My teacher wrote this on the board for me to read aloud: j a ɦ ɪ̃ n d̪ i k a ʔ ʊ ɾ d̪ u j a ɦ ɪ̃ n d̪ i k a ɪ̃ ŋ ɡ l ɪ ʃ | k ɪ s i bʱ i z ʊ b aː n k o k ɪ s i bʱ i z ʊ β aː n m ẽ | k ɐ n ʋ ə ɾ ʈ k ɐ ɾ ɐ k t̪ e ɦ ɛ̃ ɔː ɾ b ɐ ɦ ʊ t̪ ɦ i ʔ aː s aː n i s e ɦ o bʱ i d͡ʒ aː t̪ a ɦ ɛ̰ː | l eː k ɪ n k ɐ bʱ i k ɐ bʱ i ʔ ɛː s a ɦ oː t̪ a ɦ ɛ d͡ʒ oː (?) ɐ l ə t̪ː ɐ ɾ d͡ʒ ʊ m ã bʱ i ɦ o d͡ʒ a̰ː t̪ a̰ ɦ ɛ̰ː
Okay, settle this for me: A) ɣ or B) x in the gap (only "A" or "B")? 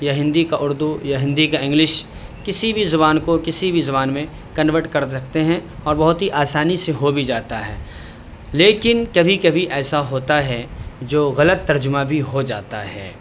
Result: A